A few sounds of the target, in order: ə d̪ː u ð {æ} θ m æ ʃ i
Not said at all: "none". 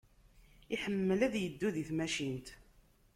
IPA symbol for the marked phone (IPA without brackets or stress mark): i